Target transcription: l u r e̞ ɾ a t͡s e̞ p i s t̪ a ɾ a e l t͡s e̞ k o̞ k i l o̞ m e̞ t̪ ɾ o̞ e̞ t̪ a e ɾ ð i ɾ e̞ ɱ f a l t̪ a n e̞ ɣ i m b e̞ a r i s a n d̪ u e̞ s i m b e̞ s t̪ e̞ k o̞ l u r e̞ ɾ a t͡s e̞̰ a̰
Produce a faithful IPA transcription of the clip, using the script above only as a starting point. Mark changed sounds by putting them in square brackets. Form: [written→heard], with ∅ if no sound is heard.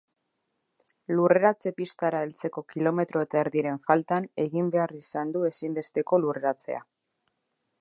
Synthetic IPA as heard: l u r e̞ ɾ a t͡s e̞ p i s t̪ a ɾ a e l t͡s e̞ k o̞ k i l o̞ m e̞ t̪ ɾ o̞ e̞ t̪ a e ɾ ð i ɾ e̞ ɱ f a l t̪ a n e̞ ɣ i m b e̞ a r i s a n d̪ u e̞ s i m b e̞ s t̪ e̞ k o̞ l u r e̞ ɾ a t͡s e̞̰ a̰